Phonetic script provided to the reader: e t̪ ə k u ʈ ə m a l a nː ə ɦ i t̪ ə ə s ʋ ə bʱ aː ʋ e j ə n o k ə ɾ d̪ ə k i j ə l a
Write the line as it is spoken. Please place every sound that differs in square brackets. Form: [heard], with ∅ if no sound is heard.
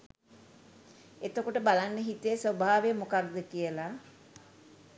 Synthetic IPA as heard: e t̪ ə k [o] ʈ ə [b] a l a nː ə ɦ i t̪ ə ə s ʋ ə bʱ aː ʋ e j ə [m] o k [a] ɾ d̪ ə k i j ə l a